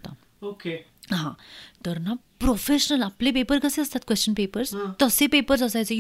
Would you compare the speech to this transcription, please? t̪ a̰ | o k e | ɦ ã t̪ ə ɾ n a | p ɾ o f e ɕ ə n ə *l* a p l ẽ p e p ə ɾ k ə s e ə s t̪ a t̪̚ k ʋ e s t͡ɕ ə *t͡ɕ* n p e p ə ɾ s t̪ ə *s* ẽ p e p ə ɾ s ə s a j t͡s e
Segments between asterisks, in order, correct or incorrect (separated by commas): correct, incorrect, correct